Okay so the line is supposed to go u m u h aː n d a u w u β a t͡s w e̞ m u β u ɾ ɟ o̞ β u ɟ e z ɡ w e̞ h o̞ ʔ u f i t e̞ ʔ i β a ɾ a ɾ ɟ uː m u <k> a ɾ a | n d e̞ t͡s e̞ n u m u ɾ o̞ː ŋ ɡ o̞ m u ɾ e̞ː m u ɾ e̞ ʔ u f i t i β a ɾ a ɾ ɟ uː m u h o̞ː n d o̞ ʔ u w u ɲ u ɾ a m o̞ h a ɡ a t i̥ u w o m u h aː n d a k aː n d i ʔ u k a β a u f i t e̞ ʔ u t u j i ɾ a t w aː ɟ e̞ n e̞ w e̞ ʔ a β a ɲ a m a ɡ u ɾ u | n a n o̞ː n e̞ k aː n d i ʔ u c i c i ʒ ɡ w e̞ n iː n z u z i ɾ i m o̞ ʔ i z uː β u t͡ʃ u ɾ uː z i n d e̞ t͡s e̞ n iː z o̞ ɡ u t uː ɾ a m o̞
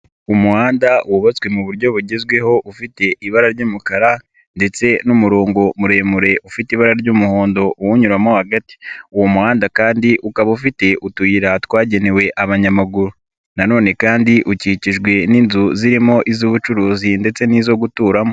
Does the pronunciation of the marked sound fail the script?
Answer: no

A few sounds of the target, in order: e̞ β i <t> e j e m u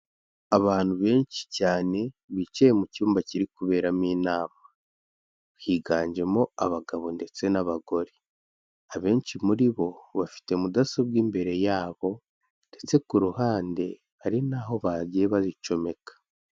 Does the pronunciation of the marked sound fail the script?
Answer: yes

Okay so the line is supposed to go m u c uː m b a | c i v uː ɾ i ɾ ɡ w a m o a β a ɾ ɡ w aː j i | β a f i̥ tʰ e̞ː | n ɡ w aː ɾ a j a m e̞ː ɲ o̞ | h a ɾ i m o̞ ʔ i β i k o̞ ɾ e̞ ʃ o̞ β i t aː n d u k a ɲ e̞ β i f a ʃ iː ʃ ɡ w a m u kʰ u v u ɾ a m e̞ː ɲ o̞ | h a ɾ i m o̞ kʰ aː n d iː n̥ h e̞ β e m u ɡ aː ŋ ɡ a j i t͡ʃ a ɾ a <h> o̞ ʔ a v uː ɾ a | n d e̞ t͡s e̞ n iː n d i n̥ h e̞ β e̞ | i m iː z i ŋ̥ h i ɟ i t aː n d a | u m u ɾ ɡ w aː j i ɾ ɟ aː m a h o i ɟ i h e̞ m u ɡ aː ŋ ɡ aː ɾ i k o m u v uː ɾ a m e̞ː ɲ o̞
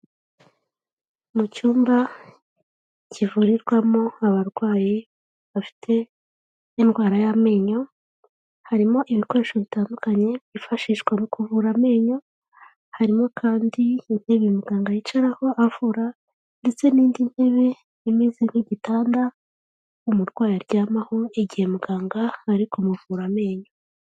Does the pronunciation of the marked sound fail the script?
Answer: no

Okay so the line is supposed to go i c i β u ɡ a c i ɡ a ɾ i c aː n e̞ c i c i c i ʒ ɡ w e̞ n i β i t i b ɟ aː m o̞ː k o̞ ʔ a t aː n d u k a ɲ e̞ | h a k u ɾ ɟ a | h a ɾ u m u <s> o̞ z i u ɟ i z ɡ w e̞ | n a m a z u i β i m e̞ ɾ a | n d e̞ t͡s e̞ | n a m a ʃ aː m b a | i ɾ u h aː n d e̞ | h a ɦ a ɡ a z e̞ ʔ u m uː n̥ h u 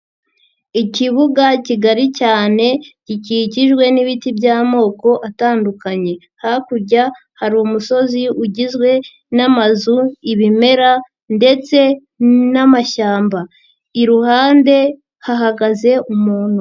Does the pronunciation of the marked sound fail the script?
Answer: no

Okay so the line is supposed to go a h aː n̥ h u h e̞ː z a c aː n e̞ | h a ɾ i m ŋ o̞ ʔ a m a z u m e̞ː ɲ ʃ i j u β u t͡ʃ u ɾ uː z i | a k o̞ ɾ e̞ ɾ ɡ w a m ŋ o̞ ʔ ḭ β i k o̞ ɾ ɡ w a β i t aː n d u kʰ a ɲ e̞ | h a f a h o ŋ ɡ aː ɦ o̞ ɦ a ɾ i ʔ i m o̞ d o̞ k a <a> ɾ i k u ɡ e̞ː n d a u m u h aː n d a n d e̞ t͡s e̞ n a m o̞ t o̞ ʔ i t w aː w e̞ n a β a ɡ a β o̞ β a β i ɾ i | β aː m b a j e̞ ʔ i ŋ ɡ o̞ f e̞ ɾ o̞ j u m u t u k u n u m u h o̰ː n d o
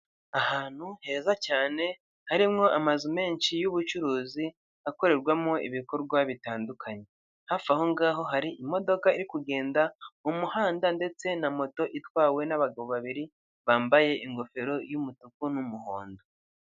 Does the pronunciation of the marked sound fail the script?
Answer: yes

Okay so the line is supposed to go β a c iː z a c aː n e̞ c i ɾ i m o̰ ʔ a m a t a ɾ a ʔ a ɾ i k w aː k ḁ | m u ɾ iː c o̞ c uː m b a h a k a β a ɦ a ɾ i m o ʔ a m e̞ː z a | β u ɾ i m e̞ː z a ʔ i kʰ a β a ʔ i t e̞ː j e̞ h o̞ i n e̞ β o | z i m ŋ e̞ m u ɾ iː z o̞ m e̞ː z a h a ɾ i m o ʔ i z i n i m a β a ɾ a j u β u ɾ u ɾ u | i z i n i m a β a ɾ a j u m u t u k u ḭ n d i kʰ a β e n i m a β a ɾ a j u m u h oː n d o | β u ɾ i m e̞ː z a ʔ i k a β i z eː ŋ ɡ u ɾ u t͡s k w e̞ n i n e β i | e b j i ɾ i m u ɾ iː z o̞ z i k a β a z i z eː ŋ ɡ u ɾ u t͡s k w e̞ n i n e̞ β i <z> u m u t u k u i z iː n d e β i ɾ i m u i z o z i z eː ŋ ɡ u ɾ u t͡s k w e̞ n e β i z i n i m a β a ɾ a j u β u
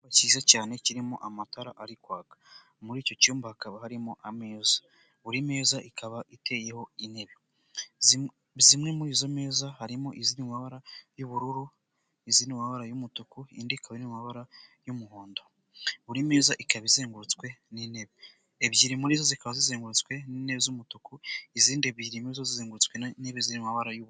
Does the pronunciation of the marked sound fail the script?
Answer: no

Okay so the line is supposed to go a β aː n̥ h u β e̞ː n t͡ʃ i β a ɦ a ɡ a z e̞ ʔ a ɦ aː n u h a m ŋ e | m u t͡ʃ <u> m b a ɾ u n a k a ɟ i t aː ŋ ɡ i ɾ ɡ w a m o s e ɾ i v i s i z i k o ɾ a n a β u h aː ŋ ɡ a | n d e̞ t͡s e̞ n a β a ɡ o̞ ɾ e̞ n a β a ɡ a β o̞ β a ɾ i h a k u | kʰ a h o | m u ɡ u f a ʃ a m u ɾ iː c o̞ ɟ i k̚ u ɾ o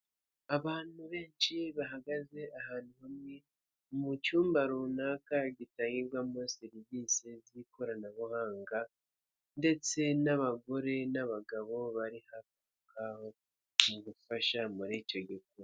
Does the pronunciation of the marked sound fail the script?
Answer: yes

